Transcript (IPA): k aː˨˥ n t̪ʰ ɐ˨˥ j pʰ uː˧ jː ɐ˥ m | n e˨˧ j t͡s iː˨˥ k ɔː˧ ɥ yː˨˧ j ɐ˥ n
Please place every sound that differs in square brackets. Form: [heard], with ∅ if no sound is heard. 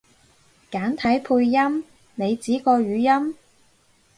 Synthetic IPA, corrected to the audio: k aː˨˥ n t̪ʰ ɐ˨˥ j pʰ uː˧ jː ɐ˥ m | n e˨˧ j t͡s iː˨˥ k ɔː˧ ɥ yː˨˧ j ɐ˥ [m]